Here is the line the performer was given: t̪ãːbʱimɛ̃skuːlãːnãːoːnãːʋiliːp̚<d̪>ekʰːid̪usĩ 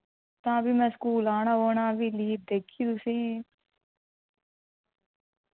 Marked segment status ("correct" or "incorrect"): correct